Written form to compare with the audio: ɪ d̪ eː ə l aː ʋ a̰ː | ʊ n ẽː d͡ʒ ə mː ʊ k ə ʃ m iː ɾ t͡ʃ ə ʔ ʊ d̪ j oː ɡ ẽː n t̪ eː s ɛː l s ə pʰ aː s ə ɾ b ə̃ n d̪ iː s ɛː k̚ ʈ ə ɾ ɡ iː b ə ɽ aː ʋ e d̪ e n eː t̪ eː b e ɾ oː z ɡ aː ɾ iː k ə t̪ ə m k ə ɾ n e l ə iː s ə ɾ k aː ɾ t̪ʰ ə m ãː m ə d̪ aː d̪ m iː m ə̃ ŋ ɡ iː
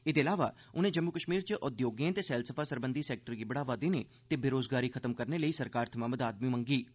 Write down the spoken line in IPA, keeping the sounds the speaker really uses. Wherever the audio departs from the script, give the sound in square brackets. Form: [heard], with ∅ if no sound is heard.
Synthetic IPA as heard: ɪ d̪ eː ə l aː ʋ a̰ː | ʊ n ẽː d͡ʒ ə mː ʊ k ə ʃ m iː ɾ t͡ʃ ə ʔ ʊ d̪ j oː ɡ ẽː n t̪ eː s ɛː l s ə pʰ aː s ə ɾ b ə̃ n d̪ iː s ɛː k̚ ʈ ə ɾ ɡ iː b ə ɽ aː ʋ [a] d̪ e n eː t̪ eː b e ɾ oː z ɡ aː ɾ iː [kʰ] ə t̪ ə m k ə ɾ n e l ə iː s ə ɾ k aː ɾ t̪ʰ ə m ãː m ə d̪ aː d̪ m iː m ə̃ ŋ ɡ iː